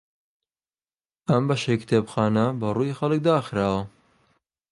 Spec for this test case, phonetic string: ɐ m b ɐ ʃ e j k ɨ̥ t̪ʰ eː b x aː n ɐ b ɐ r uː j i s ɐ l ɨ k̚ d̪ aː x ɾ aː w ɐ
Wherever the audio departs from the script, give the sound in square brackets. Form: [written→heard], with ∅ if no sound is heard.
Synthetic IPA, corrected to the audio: ɐ m b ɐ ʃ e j k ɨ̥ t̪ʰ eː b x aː n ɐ b ɐ r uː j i [s→x] ɐ l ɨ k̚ d̪ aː x ɾ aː w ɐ